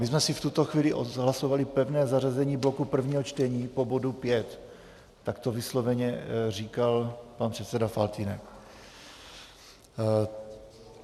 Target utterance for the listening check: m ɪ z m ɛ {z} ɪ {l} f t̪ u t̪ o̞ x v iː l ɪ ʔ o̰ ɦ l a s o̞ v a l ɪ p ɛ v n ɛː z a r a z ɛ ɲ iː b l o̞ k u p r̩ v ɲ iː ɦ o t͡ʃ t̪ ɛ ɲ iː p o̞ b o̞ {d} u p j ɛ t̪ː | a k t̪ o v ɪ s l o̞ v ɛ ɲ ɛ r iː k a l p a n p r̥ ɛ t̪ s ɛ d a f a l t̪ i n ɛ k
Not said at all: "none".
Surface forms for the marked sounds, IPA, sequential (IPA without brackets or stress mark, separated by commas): s, none, d